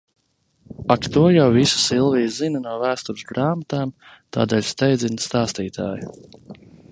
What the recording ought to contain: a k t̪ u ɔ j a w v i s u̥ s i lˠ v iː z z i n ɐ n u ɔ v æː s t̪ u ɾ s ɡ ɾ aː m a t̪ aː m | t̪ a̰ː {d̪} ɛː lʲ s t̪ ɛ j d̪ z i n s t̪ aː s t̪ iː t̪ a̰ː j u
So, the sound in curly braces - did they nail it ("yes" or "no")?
yes